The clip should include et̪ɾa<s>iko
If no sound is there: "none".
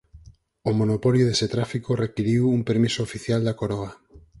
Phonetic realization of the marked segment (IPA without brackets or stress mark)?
f